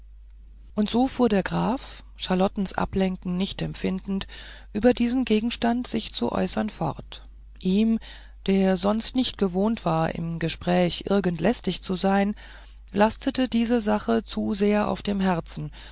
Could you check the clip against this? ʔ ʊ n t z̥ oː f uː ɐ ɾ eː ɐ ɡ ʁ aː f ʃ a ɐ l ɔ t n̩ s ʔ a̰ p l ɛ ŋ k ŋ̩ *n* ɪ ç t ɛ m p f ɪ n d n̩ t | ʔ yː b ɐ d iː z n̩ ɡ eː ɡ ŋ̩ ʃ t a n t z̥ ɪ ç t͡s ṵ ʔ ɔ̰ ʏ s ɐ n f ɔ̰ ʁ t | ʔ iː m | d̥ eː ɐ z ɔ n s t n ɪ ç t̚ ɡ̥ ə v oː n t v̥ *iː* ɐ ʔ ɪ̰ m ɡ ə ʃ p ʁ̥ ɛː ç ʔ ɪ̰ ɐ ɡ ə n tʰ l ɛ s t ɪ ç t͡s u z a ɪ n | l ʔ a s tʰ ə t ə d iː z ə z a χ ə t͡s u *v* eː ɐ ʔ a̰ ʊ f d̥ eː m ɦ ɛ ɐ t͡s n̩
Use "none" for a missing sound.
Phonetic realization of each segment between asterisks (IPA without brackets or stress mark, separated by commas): n, aː, z